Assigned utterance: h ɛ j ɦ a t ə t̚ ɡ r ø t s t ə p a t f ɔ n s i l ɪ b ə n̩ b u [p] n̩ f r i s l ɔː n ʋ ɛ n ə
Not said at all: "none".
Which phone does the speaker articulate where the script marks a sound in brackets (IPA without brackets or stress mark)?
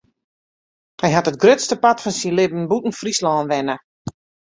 t